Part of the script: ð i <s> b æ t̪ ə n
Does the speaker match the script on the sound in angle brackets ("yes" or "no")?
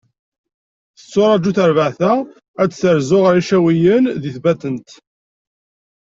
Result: no